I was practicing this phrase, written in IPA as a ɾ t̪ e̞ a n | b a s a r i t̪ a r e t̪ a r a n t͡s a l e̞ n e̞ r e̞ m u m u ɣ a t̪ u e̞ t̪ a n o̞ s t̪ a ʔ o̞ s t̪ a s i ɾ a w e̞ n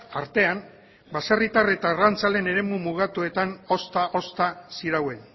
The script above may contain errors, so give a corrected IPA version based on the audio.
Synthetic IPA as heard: a ɾ t̪ e̞ a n | b a s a r i t̪ a r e t̪ a r a n t͡s a l e̞ n e̞ ɾ e̞ m u m u ɣ a t̪ u e̞ t̪ a n o̞ s t̪ a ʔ o̞ s t̪ a s i ɾ a w e̞ n